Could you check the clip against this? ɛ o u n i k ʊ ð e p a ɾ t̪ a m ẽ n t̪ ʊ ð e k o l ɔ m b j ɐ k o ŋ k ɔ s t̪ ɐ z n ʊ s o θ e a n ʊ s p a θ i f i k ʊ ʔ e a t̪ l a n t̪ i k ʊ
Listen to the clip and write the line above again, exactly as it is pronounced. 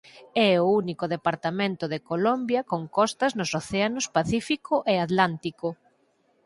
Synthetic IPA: ɛ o u n i k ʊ ð e p a ɾ t̪ a m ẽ n t̪ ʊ ð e k o l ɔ m b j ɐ k o ŋ k ɔ s t̪ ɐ z n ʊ s o θ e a n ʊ s p a θ i f i k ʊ ʔ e a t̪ l a n t̪ i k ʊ